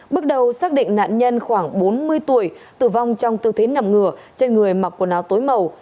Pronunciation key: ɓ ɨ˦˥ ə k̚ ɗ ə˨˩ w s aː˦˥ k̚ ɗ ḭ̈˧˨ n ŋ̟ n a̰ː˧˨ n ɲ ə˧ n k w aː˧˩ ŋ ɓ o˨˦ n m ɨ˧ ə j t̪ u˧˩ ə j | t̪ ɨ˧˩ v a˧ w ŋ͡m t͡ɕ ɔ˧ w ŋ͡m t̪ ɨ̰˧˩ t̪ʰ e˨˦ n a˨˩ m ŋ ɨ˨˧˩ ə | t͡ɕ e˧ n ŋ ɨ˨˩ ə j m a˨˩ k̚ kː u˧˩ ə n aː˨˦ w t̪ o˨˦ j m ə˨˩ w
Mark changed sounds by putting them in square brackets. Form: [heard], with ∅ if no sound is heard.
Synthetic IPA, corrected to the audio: ɓ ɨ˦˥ ə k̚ ɗ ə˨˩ w s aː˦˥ k̚ ɗ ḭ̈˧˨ [∅] ŋ̟ n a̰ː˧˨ n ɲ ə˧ n [x] w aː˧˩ ŋ ɓ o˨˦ n m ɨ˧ ə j t̪ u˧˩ ə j | t̪ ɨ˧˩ v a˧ w ŋ͡m t͡ɕ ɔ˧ w ŋ͡m t̪ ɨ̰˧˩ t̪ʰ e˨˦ n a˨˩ m ŋ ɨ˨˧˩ ə | t͡ɕ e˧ n ŋ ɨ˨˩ ə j m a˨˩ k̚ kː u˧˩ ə n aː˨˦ w t̪ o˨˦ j m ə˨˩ w